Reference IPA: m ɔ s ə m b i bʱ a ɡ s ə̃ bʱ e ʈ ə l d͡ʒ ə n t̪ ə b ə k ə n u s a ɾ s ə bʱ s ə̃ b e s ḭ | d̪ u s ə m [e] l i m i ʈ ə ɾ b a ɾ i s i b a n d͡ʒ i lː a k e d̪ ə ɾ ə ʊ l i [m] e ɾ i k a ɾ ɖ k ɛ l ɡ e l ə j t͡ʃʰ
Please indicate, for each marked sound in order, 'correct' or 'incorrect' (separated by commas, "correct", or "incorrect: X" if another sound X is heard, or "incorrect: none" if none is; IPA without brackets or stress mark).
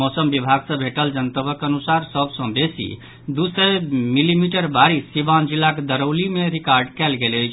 incorrect: i, correct